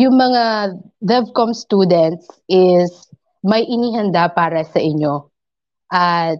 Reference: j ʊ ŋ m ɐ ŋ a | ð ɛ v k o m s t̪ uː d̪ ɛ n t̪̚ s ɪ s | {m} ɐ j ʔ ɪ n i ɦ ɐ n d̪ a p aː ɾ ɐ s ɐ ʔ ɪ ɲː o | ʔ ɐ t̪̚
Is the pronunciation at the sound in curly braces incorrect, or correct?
correct